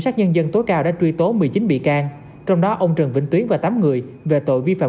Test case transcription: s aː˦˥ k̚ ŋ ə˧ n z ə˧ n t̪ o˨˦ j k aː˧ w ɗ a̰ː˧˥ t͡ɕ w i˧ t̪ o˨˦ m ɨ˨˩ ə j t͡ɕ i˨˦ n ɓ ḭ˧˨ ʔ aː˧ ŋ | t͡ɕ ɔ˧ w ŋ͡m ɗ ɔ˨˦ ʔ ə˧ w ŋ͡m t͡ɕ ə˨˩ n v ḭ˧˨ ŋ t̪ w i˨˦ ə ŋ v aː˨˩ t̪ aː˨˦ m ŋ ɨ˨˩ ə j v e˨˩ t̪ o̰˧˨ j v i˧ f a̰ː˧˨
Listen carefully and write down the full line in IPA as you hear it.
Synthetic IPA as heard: s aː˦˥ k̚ ɲ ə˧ n z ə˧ n t̪ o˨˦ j k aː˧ w ɗ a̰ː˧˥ t͡ɕ w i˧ t̪ o˨˦ m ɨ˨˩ ə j t͡ɕ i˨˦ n ɓ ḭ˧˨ k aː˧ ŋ | t͡ɕ ɔ˧ w ŋ͡m ɗ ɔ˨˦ ʔ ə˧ w ŋ͡m t͡ɕ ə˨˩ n v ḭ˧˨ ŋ t̪ w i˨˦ ə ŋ v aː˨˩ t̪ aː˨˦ m ŋ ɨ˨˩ ə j v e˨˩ t̪ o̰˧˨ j v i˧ f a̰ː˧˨